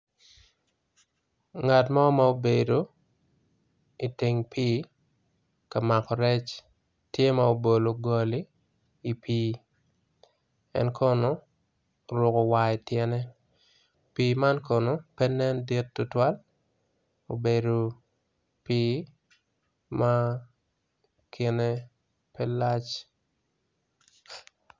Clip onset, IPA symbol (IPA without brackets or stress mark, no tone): ŋ